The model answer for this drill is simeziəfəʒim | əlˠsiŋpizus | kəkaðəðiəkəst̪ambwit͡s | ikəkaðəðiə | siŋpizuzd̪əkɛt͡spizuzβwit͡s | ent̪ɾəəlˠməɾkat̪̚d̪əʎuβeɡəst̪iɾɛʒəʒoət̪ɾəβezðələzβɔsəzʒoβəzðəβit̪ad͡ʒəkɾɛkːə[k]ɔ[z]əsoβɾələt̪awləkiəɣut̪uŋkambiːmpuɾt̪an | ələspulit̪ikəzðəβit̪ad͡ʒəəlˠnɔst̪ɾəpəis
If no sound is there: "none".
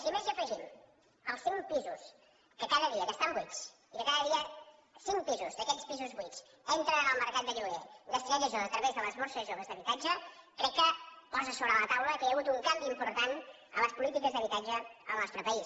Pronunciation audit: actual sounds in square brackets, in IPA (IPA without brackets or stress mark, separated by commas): p, z